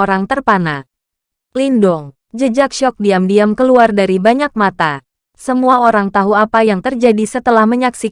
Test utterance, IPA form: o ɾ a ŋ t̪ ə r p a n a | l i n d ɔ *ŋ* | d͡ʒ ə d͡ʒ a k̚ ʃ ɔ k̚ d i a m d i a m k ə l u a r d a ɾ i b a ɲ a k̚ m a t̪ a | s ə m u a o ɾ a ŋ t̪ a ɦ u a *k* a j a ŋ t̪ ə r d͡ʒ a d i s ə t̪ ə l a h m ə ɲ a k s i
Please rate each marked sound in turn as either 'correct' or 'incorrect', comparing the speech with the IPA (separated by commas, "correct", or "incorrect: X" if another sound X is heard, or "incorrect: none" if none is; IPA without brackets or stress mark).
correct, incorrect: p